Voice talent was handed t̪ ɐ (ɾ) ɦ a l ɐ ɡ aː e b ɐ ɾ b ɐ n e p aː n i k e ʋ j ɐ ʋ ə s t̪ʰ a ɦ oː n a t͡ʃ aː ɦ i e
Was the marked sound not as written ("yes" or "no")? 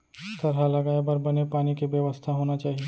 no